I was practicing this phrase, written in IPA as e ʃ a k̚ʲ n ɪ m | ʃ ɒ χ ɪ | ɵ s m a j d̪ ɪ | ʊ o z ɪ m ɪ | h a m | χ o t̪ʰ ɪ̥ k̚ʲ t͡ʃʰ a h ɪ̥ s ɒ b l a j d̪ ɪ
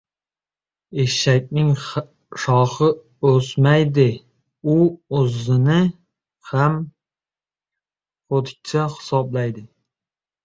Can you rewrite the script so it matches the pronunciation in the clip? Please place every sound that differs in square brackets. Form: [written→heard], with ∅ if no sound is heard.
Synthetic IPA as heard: e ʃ a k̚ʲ n ɪ [m→ŋ] | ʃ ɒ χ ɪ | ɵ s m a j d̪ ɪ | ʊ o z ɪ [m→n] ɪ | h a m | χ o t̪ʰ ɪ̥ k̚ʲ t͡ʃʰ a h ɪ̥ s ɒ b l a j d̪ ɪ